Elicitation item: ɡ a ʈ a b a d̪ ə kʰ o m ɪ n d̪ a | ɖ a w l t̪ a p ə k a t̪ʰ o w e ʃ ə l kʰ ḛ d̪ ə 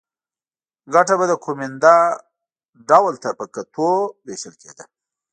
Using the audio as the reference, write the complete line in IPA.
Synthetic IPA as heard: ɡ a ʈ a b a d̪ ə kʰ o m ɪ n d̪ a | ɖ a w l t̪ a p ə k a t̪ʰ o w e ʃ ə l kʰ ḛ d̪ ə